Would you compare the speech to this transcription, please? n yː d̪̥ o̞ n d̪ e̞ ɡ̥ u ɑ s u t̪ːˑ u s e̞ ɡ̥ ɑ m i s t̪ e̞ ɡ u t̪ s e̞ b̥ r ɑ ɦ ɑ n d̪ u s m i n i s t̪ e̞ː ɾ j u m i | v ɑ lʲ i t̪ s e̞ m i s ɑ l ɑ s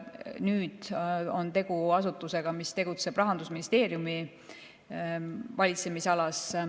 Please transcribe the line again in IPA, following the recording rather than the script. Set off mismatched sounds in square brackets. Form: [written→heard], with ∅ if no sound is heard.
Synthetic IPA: n yː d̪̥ o̞ n [d̪→t̪] e̞ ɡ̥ u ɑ s u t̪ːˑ u s e̞ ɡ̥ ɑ m i s t̪ e̞ ɡ u t̪ s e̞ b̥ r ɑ ɦ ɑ n d̪ u s m i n i s t̪ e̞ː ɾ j u m i | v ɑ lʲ i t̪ s e̞ m i s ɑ l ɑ s

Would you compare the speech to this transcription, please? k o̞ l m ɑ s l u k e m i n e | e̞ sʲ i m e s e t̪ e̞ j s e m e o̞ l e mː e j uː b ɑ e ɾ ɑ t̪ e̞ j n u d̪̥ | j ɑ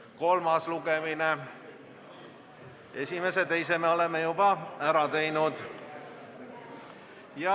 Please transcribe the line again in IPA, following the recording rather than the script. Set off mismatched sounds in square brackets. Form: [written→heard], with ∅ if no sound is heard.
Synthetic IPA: k o̞ l m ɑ s l u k e m i n e | e̞ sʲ i m e s e t̪ e̞ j s e m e o̞ l e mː e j [uː→u] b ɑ [e→æ] ɾ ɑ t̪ e̞ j n u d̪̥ | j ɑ

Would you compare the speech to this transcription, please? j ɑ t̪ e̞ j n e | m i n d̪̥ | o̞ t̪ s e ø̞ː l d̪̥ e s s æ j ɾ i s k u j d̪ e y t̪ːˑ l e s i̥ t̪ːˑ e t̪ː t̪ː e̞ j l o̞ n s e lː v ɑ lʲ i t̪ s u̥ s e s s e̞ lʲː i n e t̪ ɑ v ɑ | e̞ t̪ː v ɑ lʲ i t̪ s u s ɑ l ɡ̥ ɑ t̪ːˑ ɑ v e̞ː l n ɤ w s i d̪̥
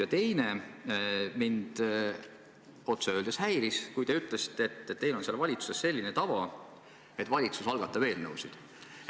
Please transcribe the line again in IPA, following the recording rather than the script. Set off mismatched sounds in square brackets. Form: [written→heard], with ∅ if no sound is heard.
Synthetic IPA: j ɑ t̪ e̞ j n e | m i n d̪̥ | o̞ t̪ s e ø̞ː l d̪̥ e s [s→h] æ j ɾ i s k u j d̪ e y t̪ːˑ l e s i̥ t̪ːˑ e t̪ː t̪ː e̞ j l o̞ n s e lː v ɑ lʲ i t̪ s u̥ s e s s e̞ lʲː i n e t̪ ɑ v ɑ | e̞ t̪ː v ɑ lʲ i t̪ s u s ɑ l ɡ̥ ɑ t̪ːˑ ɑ v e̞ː l n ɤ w s i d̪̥

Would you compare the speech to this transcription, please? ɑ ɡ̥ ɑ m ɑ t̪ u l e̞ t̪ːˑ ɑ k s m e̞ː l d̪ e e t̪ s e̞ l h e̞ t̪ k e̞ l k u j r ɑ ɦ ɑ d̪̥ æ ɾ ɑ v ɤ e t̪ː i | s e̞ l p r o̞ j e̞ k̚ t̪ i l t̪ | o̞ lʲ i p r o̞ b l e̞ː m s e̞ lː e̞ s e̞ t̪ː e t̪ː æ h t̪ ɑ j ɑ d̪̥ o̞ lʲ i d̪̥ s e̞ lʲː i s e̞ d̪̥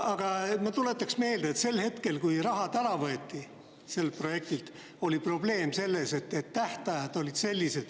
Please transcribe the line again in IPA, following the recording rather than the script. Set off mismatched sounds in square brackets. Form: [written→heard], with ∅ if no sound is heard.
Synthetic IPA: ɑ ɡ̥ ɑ m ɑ t̪ u l e̞ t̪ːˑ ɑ k s m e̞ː l d̪ e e t̪ s e̞ l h e̞ t̪ k e̞ l k u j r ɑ ɦ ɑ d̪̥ æ ɾ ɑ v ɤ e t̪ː i | s e̞ l p r o̞ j e̞ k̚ t̪ i l t̪ | o̞ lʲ i p r o̞ b l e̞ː m s e̞ lː e̞ s e̞ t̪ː e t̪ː æ h t̪ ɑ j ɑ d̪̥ o̞ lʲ i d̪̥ s e̞ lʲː i s e̞ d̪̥

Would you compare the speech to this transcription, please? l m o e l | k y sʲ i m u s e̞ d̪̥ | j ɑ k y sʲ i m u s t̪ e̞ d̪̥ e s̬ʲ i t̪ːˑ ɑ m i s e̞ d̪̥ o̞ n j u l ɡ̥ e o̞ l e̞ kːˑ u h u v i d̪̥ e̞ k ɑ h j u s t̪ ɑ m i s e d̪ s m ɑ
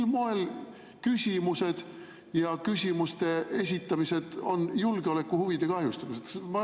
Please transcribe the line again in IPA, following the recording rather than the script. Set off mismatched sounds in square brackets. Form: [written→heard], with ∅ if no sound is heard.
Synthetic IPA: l m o e l | k y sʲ i m u s e̞ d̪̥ | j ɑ k y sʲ i m u s t̪ e̞ [d̪̥→∅] e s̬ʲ i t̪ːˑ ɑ m i s e̞ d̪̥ o̞ n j u l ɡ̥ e o̞ l e̞ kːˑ u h u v i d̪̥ e̞ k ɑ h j u s t̪ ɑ m i s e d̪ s m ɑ

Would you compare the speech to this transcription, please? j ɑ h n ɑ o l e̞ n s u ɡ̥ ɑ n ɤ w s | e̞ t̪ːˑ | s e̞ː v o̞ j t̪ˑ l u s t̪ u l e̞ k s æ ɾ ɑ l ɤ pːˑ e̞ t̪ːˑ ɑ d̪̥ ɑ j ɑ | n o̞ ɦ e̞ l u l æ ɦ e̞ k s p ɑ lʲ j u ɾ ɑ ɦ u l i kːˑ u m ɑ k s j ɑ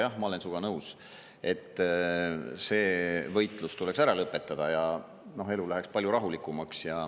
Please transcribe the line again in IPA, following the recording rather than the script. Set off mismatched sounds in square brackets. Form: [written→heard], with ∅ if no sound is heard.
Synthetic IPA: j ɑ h [n→m] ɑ o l e̞ n s u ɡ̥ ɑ n ɤ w s | e̞ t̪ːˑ | s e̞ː v [o̞→ɤ̞] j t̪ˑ l u s t̪ u l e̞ k s æ ɾ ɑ l ɤ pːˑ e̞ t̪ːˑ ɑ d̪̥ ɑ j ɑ | n o̞ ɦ e̞ l u l æ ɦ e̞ k s p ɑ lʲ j u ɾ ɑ ɦ u l i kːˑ u m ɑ k s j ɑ

